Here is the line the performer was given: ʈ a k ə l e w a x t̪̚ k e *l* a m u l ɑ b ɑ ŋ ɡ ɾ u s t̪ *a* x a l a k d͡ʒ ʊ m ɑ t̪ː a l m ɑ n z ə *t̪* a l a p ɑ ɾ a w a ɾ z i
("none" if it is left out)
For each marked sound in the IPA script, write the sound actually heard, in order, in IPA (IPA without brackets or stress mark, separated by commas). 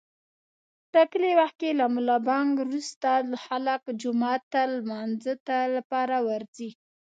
l, a, t̪